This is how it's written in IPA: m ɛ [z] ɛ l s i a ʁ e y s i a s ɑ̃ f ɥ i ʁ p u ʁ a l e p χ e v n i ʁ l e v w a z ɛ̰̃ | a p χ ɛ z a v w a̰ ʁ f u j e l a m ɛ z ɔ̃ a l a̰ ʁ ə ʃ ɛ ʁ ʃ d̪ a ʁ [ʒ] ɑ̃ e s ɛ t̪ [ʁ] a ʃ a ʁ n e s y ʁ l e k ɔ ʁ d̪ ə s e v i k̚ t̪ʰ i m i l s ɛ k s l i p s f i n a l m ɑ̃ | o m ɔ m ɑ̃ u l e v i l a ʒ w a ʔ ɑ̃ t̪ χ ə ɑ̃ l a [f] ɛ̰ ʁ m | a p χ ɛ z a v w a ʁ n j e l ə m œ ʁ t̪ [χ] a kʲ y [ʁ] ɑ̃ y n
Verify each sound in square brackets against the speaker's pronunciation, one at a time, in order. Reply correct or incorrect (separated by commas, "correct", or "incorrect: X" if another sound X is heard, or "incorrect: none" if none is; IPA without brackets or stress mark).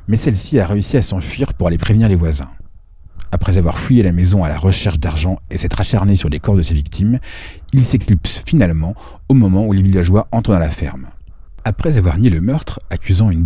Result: incorrect: s, correct, incorrect: χ, correct, correct, incorrect: z